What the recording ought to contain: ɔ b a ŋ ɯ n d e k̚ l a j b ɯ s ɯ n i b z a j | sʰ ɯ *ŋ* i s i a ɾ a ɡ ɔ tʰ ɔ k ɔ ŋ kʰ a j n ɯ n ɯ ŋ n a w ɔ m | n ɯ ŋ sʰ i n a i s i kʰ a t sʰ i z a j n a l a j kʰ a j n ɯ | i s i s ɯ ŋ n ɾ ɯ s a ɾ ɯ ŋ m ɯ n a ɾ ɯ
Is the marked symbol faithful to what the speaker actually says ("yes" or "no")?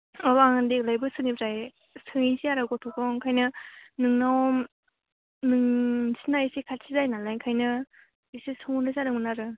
yes